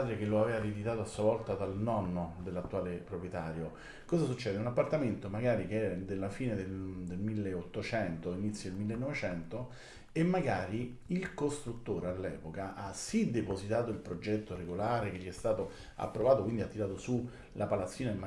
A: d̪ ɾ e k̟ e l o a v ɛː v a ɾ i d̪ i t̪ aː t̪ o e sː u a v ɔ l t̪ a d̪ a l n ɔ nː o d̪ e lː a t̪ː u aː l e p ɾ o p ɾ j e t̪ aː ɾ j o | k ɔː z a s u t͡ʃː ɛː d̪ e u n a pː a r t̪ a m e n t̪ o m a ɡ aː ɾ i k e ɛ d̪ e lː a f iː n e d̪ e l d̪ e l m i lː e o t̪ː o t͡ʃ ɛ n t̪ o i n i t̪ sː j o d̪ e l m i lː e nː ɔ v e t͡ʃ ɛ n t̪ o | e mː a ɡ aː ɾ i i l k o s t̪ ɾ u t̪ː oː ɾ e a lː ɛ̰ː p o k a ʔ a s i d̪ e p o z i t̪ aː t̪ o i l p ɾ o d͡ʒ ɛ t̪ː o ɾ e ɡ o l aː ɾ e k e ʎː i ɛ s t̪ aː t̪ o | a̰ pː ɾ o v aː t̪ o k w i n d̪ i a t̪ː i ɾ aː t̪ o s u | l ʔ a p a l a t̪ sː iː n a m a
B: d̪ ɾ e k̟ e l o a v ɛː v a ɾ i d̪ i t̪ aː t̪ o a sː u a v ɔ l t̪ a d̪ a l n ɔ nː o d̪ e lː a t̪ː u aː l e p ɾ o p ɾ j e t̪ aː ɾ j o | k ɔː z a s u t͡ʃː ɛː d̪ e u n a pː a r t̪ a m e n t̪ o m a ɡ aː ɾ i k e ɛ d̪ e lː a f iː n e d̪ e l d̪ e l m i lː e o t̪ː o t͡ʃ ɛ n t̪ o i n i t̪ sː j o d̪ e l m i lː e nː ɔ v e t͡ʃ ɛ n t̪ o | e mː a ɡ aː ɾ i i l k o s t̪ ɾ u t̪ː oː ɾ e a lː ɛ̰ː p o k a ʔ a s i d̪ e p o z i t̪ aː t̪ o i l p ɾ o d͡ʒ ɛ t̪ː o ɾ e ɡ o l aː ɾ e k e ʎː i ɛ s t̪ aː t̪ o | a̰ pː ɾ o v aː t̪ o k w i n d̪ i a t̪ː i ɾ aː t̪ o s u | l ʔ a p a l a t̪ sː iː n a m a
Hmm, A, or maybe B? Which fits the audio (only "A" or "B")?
B